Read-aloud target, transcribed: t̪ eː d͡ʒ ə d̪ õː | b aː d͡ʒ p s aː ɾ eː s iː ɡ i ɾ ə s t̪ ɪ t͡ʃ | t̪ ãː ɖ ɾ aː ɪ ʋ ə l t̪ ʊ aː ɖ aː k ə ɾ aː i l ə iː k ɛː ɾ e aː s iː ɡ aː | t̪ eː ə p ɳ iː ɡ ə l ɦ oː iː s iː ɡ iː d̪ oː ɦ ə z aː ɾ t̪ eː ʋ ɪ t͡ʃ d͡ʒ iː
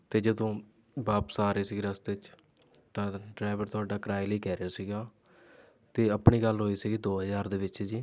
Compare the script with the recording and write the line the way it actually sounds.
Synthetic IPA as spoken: t̪ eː d͡ʒ ə d̪ õː | b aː p s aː ɾ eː s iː ɡ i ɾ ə s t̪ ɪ t͡ʃ | t̪ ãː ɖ ɾ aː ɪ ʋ ə ɾ t̪ ʊ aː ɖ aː k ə ɾ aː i l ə iː k ɛː ɾ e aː s iː ɡ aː | t̪ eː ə p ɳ iː ɡ ə l ɦ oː iː s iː ɡ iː d̪ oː ɦ ə z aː ɾ d̪ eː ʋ ɪ t͡ʃ d͡ʒ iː

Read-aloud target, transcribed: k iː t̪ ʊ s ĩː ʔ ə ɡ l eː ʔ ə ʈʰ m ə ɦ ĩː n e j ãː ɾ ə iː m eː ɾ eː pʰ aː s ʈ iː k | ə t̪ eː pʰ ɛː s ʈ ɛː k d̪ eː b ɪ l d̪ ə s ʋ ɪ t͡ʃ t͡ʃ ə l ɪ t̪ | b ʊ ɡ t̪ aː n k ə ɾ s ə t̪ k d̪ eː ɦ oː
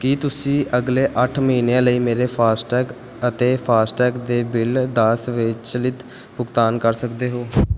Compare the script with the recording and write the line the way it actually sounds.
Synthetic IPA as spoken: k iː t̪ ʊ s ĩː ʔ ə ɡ l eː ʔ ə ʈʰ m ə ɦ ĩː n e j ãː l ə iː m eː ɾ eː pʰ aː s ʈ ɛː k | ə t̪ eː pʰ aː s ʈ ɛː k d̪ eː b ɪ l d̪ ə s ʋ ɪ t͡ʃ t͡ʃ ə l ɪ t̪ | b ʊ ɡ t̪ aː n k ə ɾ s ə k d̪ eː ɦ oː

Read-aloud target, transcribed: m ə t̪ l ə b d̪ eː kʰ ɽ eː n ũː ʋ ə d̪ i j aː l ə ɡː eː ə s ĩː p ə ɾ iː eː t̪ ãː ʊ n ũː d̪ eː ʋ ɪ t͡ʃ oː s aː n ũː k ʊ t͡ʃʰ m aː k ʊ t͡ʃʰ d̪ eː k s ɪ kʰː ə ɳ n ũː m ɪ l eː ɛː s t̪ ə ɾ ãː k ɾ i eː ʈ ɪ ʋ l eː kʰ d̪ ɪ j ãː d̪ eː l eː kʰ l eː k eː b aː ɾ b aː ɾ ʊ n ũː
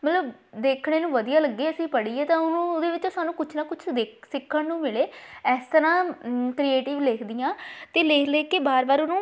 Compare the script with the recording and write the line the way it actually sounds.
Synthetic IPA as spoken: m ə t̪ l ə b d̪ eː kʰ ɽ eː n ũː ʋ ə d̪ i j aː l ə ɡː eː ə s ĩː p ə ɽ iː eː t̪ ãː ʊ n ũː d̪ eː ʋ ɪ t͡ʃ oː s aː n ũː k ʊ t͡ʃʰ n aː k ʊ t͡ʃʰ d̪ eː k s ɪ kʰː ə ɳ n ũː m ɪ l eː ɛː s t̪ ə ɾ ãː k ɾ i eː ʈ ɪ ʋ l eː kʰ d̪ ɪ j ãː t̪ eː l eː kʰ l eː k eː b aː ɾ b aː ɾ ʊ n ũː

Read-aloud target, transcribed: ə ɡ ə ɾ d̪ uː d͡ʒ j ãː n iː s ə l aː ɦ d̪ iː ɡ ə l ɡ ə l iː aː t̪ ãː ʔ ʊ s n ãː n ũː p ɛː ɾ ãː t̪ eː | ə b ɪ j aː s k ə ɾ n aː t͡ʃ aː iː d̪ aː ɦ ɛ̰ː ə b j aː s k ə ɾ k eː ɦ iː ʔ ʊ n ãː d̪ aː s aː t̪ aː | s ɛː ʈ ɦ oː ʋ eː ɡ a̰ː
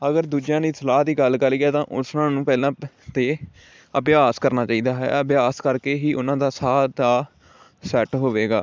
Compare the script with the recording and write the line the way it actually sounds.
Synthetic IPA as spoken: ə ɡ ə ɾ d̪ uː d͡ʒ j ãː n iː s ə l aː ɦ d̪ iː ɡ ə l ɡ ə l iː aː t̪ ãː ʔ ʊ s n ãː n ũː p ɛː l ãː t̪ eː | ə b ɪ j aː s k ə ɾ n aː t͡ʃ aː iː d̪ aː ɦ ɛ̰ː ə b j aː s k ə ɾ k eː ɦ iː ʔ ʊ n ãː d̪ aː s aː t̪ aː | s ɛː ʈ ɦ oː ʋ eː ɡ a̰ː

